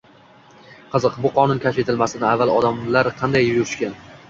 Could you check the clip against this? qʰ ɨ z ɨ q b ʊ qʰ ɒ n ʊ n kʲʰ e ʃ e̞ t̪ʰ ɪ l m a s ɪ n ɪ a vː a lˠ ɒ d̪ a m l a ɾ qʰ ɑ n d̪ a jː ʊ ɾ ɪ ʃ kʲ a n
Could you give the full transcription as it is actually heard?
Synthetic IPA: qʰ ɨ z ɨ q b ʊ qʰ ɒ n ʊ n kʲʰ a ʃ e̞ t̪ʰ ɪ l m a s ɪ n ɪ a vː a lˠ ɒ d̪ a m l a ɾ qʰ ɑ n d̪ a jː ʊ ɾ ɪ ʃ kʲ a n

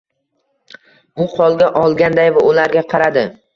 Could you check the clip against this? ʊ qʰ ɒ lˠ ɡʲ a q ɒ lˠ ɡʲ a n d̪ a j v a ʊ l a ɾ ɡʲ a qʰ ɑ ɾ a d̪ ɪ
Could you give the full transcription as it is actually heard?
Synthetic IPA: ʊ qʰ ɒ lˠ ɡʲ a ʔ ɒ lˠ ɡʲ a n d̪ a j v a ʊ l a ɾ ɡʲ a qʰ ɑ ɾ a d̪ ɪ

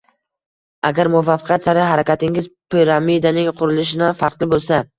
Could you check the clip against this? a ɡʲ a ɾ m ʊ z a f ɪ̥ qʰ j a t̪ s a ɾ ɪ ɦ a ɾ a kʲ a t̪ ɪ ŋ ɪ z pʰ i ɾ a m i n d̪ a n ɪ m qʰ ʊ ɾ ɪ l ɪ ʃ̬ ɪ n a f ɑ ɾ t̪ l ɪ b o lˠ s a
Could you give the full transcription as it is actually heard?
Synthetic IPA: a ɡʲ a ɾ m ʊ v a f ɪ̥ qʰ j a t̪ s a ɾ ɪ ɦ a ɾ a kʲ a t̪ ɪ ŋ ɪ z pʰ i ɾ a m i d̪ a n ɪ ŋ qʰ ʊ ɾ ɪ l ɪ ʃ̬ ɪ n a f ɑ ɾ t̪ l ɪ b o lˠ s a

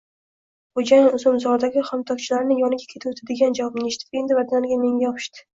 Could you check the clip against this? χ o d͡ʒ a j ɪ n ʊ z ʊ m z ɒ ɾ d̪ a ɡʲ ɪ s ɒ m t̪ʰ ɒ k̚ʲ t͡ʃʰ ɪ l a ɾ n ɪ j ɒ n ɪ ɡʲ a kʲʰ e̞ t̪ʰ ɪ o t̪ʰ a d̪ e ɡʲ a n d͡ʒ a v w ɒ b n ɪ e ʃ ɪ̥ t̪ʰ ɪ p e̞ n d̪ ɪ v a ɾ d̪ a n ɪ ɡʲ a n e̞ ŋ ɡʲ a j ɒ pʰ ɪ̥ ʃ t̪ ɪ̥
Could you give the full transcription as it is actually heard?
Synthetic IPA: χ o d͡ʒ a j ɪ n ʊ z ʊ m z ɒ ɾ d̪ a ɡʲ ɪ χ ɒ m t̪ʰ ɒ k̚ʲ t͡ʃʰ ɪ l a ɾ n ɪ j ɒ n ɪ ɡʲ a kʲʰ e̞ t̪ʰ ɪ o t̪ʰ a d̪ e ɡʲ a n d͡ʒ a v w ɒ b n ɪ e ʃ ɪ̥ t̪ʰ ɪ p e̞ n d̪ ɪ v a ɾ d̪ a n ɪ ɡʲ a m e̞ ŋ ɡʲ a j ɒ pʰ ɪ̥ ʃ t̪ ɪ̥

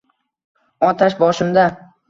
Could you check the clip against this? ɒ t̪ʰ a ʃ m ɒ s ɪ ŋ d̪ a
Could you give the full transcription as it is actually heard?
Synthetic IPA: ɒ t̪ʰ a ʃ b ɒ ʃ ɪ m d̪ a

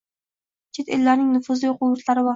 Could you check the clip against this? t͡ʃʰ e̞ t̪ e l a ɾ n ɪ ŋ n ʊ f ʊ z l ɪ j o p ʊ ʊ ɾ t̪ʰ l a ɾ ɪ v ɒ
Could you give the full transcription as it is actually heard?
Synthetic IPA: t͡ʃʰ e̞ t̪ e lː a ɾ n ɪ ŋ n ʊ f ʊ z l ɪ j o q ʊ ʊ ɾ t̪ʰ l a ɾ ɪ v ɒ

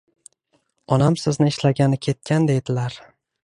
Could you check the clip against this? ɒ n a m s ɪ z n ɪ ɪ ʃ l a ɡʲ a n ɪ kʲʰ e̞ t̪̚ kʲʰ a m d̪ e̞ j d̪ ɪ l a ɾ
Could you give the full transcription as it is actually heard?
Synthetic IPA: ɒ n a m s ɪ z n ɪ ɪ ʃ l a ɡʲ a n ɪ kʲʰ e̞ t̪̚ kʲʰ a n d̪ e̞ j d̪ ɪ l a ɾ

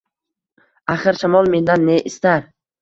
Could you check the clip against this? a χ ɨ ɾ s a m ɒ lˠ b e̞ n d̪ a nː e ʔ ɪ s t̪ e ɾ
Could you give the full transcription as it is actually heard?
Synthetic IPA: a χ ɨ ɾ ʃ a m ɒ lˠ m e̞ n d̪ a nː e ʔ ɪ s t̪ a ɾ

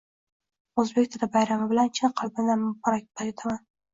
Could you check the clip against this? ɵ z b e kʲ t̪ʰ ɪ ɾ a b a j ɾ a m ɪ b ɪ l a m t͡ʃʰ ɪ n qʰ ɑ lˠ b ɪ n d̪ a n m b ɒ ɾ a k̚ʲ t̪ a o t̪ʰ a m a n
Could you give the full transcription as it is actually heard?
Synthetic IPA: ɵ z b e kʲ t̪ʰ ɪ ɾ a b a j ɾ a m ɪ b ɪ l a n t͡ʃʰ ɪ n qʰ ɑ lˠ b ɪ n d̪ a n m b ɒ ɾ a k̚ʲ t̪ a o t̪ʰ a m a n

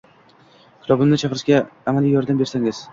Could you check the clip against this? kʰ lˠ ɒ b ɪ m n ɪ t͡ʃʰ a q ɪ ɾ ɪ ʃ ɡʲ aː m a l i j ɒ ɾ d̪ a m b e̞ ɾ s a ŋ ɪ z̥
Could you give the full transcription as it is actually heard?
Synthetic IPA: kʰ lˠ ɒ b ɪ m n ɪ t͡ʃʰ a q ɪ ɾ ɪ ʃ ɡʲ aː m a l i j ɒ ɾ d̪ a m b e̞ ɾ s a ŋ ɪ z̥

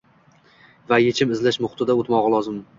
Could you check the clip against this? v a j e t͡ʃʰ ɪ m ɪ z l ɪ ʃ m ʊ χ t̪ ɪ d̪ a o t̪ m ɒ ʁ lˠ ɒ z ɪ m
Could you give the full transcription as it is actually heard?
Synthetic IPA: v a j e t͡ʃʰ ɪ m ɪ z l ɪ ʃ m ʊ χ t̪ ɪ d̪ a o t̪ m ɒ ʁ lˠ ɒ z ɪ m

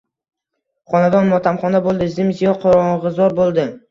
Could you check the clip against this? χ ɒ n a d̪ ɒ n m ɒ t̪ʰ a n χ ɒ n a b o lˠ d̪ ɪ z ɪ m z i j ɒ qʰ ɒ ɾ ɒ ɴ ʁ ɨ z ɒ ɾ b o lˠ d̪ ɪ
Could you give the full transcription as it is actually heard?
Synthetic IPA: χ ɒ n a d̪ ɒ n m ɒ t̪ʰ a m χ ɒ n a b o lˠ d̪ ɪ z ɪ m z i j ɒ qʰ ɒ ɾ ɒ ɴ ʁ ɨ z ɒ ɾ b o lˠ d̪ ɪ

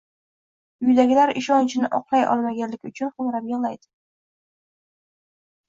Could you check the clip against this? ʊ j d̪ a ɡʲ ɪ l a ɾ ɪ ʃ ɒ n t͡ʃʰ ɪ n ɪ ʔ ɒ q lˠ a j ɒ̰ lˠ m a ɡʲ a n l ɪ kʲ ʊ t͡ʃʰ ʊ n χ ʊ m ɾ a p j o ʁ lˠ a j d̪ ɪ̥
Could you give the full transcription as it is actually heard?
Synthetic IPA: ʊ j d̪ a ɡʲ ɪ l a ɾ ɪ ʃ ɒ n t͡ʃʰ ɪ n ɪ ʔ ɒ q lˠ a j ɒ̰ lˠ m a ɡʲ a n l ɪ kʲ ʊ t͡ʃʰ ʊ n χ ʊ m ɾ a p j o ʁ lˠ a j d̪ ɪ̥

